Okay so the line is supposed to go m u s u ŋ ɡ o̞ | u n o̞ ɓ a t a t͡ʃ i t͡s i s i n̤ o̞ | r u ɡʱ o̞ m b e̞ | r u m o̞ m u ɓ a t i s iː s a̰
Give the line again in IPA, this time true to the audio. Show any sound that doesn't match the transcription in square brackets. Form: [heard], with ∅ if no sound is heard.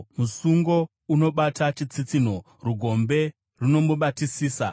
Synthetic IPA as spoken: m u s u ŋ ɡ o̞ | u n o̞ ɓ a t a t͡ʃ i t͡s i [t͡s] i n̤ o̞ | r u ɡʱ o̞ m b e̞ | r u [n] o̞ m u ɓ a t i s iː s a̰